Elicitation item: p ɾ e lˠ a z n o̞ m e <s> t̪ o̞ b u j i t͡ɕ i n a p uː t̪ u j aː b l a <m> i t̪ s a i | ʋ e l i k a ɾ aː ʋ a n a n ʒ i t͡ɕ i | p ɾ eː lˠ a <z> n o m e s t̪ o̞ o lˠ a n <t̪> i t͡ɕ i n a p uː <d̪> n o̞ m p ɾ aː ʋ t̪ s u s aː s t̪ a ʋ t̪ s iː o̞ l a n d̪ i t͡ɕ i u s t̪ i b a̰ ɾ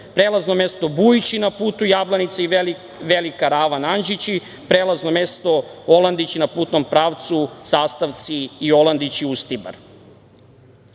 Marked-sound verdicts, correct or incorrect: correct, incorrect: n, correct, incorrect: d̪, incorrect: t̪

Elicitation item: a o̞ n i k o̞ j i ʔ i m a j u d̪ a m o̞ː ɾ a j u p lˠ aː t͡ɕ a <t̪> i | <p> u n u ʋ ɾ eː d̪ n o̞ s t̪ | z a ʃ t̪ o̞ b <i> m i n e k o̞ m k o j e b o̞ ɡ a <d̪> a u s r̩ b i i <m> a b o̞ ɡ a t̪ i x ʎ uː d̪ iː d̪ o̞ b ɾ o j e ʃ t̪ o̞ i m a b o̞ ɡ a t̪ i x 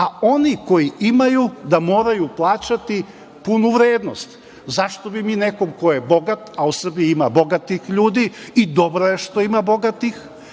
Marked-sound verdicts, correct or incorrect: correct, correct, correct, incorrect: t̪, correct

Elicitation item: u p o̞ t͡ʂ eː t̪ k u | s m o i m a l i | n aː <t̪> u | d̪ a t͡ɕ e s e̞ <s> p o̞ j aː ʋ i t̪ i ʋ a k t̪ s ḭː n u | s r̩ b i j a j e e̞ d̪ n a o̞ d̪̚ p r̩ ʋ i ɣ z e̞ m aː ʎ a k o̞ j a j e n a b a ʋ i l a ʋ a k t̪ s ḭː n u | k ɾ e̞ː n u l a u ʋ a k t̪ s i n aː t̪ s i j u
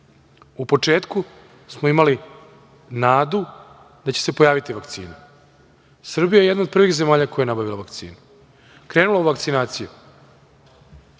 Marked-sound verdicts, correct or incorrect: incorrect: d̪, incorrect: none

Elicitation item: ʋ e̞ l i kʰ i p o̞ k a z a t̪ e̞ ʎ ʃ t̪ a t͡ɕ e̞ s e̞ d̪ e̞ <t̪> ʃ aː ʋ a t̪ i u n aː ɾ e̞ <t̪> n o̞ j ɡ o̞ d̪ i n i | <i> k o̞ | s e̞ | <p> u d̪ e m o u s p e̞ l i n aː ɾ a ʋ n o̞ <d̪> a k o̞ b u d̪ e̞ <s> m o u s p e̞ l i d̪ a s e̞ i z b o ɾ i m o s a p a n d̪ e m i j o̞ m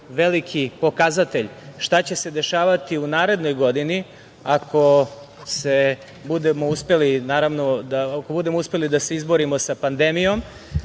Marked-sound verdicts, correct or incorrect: incorrect: none, incorrect: d̪, incorrect: a, incorrect: b, correct, incorrect: none

